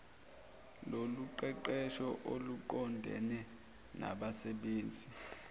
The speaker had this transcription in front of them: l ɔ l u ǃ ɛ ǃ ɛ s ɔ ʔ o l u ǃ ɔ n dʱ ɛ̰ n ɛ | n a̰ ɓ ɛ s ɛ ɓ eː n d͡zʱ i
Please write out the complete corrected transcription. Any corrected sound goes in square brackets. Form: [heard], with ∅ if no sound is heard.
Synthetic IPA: l [o] l u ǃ ɛ ǃ ɛ [ʃ] ɔ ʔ o l u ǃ ɔ n dʱ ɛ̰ n ɛ | n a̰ ɓ [a] s ɛ ɓ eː n d͡zʱ i